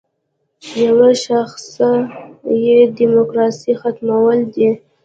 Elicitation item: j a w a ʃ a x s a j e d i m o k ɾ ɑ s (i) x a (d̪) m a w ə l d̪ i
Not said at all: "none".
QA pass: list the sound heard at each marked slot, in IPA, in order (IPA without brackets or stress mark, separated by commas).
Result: i, t̪